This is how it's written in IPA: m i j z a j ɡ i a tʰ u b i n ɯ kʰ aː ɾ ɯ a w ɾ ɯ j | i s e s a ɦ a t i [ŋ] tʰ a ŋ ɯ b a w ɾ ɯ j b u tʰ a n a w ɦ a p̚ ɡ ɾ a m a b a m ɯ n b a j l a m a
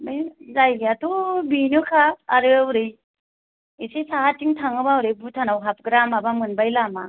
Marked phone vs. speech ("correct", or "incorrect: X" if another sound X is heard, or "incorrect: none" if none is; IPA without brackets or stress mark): correct